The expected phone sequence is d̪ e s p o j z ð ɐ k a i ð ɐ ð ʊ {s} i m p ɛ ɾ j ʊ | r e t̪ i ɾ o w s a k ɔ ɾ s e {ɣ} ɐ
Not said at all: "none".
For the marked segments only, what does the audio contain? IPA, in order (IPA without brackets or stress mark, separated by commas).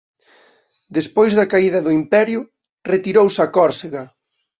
none, ɣ